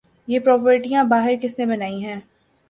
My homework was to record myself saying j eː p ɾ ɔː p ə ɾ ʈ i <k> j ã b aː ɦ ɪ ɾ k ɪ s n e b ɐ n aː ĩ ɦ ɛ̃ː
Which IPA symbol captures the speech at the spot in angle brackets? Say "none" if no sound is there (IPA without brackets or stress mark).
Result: none